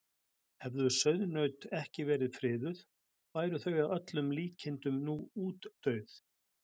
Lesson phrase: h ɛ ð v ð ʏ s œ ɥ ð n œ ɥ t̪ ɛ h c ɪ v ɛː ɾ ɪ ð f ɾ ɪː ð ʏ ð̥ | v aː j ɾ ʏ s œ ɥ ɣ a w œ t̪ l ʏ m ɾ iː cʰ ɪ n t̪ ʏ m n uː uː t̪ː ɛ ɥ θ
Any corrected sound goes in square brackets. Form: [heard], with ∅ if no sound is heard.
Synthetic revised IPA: h ɛ [∅] v ð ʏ s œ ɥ ð n œ ɥ t̪ ɛ h c ɪ v ɛː ɾ ɪ ð f ɾ ɪː ð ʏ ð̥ | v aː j ɾ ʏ [θ] œ ɥ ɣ a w œ t̪ l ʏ m [l] iː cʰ ɪ n t̪ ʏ m n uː uː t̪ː [œ] ɥ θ